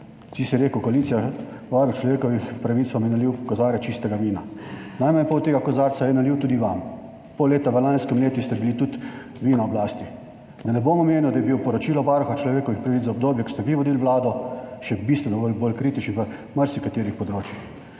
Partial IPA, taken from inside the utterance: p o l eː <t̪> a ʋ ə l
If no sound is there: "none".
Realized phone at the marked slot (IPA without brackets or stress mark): t̪